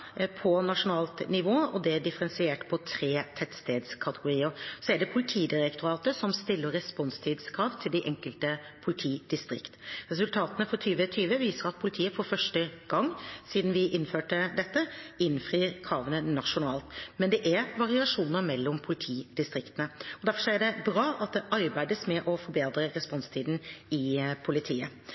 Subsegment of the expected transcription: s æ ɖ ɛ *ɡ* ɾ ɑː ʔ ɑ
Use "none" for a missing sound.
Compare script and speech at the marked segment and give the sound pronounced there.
b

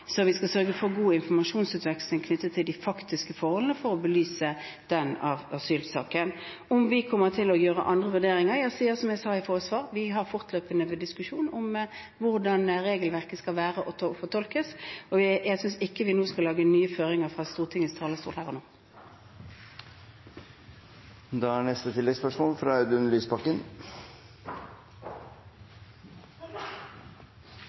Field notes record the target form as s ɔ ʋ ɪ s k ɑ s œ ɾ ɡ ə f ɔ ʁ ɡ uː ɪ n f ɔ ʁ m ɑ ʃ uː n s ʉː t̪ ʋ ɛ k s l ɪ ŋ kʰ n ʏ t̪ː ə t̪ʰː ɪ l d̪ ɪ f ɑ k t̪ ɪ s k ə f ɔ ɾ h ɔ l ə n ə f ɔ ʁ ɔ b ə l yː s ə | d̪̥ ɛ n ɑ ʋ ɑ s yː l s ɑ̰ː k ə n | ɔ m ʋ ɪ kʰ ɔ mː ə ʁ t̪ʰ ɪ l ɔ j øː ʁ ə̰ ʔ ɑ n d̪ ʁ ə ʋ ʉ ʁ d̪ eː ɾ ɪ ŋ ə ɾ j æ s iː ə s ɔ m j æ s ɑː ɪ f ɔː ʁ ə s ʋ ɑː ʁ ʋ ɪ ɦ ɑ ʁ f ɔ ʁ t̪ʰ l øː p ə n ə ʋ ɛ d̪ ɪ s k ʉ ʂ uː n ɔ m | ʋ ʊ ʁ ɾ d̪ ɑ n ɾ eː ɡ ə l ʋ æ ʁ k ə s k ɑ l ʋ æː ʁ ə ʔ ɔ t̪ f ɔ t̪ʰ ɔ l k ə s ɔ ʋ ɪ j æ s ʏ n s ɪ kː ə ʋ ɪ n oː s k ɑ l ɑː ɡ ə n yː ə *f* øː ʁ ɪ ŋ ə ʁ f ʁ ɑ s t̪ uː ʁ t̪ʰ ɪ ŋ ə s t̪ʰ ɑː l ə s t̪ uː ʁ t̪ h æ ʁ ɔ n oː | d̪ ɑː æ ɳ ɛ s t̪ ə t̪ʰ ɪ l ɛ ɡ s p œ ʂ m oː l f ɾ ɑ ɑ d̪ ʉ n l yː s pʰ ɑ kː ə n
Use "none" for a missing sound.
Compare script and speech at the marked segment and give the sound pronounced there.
f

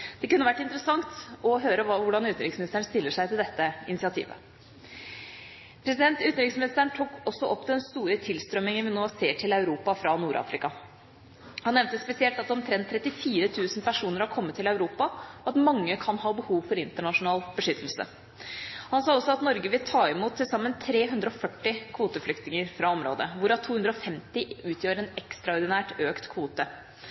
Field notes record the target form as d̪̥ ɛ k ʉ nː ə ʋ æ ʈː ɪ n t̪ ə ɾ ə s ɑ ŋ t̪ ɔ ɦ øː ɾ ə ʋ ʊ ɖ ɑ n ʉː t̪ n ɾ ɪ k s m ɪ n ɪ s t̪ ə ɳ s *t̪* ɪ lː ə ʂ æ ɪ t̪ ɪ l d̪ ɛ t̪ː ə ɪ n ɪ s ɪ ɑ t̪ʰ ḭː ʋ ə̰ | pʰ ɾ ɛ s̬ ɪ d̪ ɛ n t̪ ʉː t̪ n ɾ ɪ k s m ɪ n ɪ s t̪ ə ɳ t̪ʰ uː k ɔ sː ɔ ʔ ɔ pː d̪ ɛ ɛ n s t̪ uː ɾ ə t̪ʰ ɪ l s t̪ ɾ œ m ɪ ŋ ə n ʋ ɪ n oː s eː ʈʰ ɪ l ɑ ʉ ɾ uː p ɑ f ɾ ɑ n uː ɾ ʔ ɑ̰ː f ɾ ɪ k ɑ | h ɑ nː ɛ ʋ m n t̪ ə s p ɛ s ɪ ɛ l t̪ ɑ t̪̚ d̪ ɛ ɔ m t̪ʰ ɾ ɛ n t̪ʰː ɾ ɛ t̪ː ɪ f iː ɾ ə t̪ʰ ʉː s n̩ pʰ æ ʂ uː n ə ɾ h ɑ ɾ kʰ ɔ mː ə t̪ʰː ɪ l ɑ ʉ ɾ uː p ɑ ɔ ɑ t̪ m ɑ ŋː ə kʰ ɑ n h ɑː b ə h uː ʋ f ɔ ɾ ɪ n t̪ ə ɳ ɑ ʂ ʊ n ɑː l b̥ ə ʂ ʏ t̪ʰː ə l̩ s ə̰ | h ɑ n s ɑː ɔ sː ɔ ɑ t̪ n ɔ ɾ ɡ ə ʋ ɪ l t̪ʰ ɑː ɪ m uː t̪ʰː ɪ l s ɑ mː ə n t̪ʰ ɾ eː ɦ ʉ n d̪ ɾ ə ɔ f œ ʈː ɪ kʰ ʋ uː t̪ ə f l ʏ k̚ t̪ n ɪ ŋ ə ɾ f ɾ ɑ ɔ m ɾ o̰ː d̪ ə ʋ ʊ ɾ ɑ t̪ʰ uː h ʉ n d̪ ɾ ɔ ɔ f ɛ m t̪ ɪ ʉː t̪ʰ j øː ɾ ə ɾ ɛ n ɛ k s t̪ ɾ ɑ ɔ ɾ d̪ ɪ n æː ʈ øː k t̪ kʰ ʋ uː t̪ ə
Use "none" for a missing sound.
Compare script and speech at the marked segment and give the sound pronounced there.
t̪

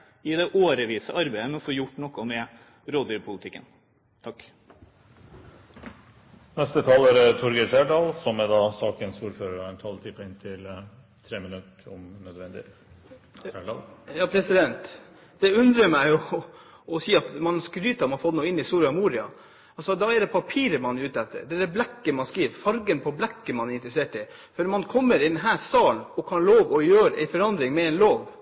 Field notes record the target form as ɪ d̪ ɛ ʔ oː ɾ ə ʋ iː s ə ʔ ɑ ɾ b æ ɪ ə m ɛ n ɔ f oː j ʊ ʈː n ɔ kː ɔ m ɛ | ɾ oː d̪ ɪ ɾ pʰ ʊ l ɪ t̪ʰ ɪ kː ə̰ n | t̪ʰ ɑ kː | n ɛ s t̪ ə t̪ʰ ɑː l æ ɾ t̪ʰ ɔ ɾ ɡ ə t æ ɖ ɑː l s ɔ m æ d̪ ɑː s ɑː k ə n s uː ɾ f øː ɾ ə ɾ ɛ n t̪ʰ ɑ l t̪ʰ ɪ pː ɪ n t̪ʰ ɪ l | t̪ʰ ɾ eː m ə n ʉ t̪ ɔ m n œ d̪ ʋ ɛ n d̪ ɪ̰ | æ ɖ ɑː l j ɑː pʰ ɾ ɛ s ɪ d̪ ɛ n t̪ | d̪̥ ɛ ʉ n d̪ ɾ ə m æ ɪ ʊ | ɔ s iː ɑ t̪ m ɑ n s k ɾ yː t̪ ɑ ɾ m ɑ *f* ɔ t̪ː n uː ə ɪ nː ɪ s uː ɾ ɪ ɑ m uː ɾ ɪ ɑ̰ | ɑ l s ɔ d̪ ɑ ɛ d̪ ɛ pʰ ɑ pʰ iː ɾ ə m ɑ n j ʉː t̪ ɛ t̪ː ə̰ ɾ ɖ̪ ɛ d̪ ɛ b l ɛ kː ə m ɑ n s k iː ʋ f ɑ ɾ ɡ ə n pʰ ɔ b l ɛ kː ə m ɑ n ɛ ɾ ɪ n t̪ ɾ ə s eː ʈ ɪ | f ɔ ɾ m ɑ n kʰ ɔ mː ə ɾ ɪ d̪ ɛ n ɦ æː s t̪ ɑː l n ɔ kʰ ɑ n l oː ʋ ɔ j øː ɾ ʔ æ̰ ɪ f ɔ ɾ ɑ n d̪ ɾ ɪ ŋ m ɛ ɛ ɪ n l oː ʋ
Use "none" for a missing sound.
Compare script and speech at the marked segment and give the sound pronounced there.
f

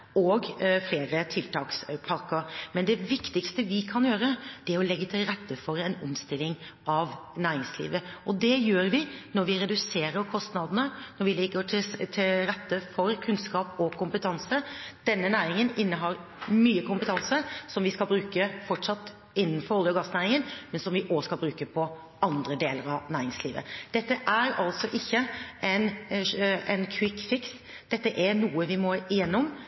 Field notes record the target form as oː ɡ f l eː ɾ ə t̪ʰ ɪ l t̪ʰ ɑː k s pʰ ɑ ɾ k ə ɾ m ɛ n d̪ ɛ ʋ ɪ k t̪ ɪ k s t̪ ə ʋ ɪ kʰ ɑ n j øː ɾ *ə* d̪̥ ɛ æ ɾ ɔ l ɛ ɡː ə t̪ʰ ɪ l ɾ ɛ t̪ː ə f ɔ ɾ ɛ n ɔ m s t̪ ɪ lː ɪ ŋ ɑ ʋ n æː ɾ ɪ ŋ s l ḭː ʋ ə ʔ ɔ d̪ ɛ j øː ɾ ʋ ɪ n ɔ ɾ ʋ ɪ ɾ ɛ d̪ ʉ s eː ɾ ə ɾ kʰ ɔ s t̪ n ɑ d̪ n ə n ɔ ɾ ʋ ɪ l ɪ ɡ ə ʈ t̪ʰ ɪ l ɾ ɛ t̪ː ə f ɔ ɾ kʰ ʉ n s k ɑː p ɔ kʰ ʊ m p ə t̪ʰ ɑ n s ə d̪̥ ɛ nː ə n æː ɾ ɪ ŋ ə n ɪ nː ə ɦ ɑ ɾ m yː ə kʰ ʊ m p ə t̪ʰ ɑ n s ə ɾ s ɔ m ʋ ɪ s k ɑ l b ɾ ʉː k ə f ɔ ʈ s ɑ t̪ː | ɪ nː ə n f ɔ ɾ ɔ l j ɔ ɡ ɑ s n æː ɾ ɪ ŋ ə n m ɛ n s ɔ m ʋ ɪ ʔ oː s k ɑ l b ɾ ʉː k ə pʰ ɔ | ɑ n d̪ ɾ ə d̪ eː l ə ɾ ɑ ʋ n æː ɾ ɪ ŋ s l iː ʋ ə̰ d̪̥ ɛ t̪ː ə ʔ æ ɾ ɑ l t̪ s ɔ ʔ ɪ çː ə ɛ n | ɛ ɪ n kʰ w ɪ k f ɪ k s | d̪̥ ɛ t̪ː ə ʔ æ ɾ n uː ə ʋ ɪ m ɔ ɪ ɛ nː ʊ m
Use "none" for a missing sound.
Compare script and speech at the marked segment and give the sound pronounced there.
ə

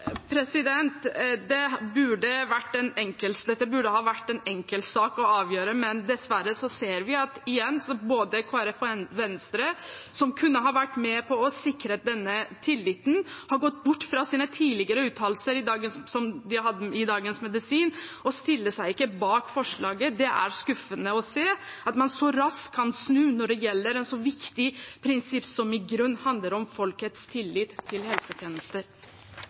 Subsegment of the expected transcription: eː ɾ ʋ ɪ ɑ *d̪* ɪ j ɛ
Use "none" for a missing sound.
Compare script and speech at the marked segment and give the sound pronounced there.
t̪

